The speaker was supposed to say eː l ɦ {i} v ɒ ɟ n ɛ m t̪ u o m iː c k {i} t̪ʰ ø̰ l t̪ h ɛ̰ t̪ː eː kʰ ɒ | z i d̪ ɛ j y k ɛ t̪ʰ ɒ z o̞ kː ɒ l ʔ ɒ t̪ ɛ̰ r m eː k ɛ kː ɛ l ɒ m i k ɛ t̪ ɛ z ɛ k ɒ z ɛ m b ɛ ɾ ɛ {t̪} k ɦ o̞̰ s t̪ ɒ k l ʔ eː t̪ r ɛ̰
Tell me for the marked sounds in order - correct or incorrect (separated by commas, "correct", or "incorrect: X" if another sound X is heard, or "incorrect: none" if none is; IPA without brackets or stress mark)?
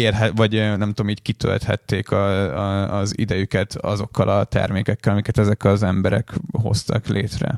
incorrect: ɛ, correct, incorrect: none